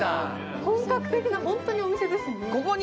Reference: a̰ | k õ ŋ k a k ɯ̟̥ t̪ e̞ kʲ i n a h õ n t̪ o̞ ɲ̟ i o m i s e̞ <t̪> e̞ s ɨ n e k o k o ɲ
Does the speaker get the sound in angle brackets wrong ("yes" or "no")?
yes